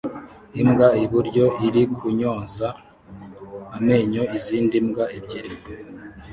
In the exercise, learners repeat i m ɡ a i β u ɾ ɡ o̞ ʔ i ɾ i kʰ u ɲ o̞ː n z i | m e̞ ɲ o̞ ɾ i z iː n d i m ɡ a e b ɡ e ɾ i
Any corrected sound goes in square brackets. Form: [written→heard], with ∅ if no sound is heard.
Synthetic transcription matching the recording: i m ɡ a i β u ɾ [ɡ→ɟ] o̞ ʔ i ɾ i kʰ u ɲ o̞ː n z [i→a] | m e̞ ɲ o̞ [ɾ→∅] i z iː n d i m ɡ a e b [ɡ→ɟ] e ɾ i